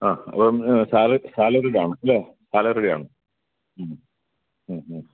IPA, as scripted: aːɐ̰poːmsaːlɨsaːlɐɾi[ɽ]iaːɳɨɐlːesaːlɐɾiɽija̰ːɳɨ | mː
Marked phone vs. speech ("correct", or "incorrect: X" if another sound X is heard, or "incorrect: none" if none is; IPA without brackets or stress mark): correct